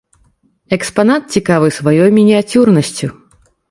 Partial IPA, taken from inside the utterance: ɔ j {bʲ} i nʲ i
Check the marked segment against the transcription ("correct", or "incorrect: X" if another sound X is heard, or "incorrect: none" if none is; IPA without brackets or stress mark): incorrect: mʲ